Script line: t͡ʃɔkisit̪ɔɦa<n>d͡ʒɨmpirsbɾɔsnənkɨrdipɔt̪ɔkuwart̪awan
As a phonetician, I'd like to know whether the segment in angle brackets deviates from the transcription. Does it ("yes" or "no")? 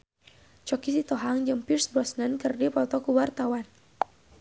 yes